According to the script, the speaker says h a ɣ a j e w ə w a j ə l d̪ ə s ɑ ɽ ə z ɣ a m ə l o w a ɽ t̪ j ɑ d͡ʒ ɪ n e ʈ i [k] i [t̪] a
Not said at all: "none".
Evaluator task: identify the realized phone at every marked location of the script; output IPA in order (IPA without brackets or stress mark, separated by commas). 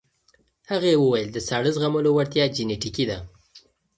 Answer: k, d̪